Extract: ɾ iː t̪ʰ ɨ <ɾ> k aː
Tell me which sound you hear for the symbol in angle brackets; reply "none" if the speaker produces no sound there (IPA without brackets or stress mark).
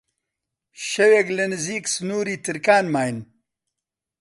ɾ